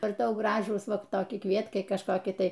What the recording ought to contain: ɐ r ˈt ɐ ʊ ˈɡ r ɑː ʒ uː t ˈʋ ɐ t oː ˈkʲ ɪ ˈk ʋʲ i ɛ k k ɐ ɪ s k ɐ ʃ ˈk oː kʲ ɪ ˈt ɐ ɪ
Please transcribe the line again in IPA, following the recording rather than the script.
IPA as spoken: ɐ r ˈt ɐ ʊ ˈɡ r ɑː ʒ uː s ˈʋ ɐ t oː ˈkʲ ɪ ˈk ʋʲ i ɛ t k ɐ ɪ k ɐ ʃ ˈk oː kʲ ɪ ˈt ɐ ɪ